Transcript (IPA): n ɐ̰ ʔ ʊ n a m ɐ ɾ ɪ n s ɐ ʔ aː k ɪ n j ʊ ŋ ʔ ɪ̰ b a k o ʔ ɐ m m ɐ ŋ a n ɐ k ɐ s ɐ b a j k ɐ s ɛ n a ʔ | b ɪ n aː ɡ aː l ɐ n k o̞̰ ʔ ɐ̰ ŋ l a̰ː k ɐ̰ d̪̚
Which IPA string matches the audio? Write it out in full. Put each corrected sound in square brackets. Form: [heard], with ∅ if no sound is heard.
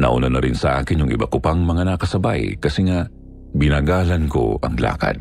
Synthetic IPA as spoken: n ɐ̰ ʔ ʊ n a [n] ɐ ɾ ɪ n s ɐ ʔ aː k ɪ n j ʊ ŋ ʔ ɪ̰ b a k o [p] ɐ [ŋ] m ɐ ŋ a n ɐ k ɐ s ɐ b a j k ɐ s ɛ [ŋ] a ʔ | b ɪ n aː ɡ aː l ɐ n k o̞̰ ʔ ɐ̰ ŋ l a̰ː k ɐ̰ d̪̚